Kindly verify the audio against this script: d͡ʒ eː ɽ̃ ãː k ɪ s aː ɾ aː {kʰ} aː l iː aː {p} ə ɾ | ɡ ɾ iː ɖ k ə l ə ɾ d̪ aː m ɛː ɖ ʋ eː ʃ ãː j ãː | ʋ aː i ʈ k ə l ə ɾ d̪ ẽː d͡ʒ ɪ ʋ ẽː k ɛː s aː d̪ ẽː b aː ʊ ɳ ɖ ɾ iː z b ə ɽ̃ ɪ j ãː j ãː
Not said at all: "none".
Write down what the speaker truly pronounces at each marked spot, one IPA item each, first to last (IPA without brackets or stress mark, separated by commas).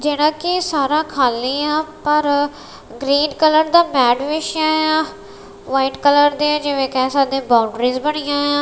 kʰ, p